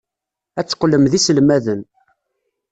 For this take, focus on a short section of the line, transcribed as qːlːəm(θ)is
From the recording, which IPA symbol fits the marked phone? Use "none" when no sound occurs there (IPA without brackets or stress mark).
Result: ð